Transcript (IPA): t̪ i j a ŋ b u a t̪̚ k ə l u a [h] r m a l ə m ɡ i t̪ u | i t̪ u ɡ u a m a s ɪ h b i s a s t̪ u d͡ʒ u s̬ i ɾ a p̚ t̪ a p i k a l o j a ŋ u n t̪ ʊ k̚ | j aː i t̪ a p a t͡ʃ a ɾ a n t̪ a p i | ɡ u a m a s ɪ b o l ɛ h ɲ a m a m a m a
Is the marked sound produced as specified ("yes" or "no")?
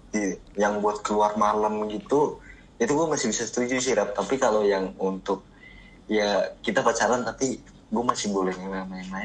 no